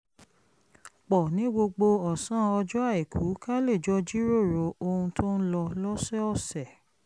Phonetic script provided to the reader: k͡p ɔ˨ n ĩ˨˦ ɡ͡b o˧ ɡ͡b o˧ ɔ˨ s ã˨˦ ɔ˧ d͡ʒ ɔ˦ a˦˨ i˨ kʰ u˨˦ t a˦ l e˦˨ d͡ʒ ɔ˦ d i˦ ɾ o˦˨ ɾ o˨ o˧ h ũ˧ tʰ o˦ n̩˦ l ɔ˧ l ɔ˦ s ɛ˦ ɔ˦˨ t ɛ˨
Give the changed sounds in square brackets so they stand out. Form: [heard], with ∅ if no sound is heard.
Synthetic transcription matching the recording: k͡p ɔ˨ n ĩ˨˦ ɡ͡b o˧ ɡ͡b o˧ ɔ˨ s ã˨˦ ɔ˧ d͡ʒ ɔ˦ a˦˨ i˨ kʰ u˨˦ [k] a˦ l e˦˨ d͡ʒ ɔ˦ [d͡ʒ] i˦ ɾ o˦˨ ɾ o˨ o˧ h ũ˧ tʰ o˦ n̩˦ l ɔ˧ l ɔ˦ s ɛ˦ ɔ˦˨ [s] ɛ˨